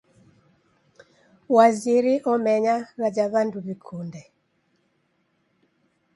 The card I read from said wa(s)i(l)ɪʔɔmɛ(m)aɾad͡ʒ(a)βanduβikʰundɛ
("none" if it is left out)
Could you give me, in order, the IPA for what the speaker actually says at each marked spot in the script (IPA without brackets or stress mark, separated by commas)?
z, ɾ, ɲ, a